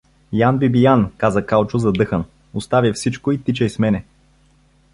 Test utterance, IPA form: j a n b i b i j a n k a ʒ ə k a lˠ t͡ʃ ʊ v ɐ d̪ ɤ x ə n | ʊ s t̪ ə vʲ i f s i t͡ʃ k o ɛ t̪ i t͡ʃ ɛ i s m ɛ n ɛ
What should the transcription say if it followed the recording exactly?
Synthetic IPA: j a n b i b i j a n k a z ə k a lˠ t͡ʃ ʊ z ɐ d̪ ɤ x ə n | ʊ s t̪ a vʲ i f s i t͡ʃ k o i t̪ i t͡ʃ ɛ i s m ɛ n ɛ